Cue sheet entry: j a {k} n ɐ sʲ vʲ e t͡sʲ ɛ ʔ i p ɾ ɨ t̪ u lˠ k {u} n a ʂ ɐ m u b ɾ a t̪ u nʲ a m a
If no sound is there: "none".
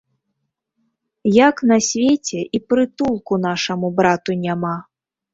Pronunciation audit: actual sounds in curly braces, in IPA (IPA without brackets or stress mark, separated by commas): k, u